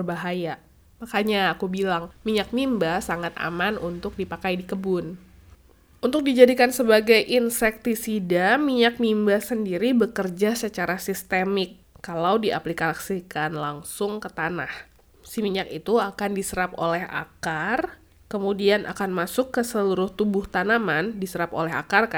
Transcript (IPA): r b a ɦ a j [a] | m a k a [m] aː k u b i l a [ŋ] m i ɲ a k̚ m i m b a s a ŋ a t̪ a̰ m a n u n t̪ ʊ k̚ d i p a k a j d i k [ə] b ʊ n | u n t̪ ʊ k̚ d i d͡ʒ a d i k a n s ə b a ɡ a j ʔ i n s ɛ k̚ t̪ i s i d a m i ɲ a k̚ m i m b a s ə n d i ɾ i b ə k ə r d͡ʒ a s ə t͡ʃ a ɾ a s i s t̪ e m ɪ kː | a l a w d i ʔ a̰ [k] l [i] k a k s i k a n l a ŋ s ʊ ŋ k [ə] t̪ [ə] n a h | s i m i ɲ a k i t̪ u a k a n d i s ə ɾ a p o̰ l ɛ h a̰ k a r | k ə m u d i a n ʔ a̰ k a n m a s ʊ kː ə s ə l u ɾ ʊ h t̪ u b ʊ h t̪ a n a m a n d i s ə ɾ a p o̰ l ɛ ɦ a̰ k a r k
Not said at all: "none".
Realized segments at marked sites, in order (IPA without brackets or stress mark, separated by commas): a, ɲ, ŋ, ə, p, i, ə, a